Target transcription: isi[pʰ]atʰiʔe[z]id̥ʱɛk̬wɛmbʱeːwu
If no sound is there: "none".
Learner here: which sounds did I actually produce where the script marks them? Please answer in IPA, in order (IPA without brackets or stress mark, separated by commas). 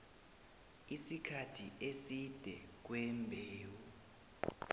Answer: kʰ, s